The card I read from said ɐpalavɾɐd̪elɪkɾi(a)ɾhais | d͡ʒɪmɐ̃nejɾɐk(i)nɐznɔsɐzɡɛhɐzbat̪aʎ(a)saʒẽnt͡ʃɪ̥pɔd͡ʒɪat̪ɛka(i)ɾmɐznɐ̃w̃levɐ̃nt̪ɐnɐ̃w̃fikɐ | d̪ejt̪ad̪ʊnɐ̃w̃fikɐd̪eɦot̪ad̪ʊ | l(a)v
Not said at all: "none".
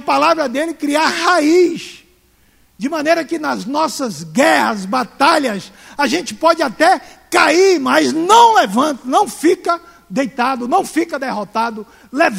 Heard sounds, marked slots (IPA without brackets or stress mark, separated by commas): a, ɪ, ɐ, i, e